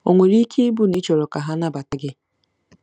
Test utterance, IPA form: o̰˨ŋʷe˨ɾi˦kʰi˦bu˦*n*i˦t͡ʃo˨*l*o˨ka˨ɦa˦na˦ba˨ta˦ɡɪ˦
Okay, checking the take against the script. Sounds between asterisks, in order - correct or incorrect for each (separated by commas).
correct, incorrect